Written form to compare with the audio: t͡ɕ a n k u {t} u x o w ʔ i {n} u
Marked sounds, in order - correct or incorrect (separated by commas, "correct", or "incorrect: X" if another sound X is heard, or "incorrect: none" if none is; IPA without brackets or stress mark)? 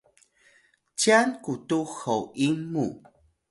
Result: correct, incorrect: m